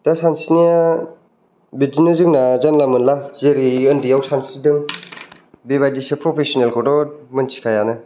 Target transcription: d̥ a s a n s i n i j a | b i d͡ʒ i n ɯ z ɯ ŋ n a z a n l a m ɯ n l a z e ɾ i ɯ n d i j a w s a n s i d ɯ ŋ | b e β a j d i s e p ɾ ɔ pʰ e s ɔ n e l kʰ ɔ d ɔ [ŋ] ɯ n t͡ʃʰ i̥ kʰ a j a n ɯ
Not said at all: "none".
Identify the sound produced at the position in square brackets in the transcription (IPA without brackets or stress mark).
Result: m